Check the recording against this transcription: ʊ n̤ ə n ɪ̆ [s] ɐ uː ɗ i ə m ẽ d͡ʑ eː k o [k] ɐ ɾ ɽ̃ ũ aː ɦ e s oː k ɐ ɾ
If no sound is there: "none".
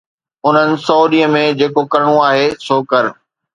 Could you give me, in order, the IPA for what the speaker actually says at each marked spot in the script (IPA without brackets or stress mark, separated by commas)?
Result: s, k